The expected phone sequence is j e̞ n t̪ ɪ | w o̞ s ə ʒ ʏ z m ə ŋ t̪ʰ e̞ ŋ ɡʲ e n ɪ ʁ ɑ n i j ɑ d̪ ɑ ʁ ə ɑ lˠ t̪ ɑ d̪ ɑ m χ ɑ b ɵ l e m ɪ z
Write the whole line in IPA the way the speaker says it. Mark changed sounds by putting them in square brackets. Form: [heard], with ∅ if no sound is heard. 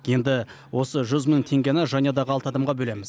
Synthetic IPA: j e̞ n [d̪] ɪ | w o̞ s ə ʒ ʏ z m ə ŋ t̪ʰ e̞ ŋ ɡʲ e n ɪ [ʒ] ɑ n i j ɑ d̪ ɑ ʁ ə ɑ lˠ t̪ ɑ d̪ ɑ m [ʁ] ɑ b ɵ l e m ɪ z